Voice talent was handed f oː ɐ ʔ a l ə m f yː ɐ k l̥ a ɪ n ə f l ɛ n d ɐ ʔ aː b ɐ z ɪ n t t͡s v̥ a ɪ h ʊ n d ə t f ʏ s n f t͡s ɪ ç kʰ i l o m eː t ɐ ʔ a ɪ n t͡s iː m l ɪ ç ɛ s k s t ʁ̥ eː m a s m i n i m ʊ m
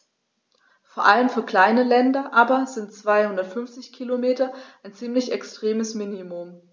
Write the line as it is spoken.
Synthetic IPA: f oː ɐ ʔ a l ə m f yː ɐ k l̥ a ɪ n ə l ɛ n d ɐ ʔ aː b ɐ z ɪ n t t͡s v̥ a ɪ h ʊ n d ɐ t f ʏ n f t͡s ɪ ç kʰ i l o m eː t ɐ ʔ a ɪ n t͡s iː m l ɪ ç ɛ k s t ʁ̥ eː m ə s m i n i m ʊ m